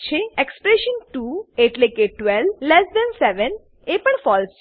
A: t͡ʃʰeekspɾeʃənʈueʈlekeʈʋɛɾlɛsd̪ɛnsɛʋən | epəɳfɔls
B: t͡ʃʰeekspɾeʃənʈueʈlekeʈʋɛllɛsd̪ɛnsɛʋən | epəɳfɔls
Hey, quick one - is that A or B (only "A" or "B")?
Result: B